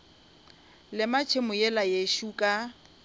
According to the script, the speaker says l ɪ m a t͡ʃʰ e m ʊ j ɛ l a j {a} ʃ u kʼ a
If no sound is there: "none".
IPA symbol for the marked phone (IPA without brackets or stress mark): e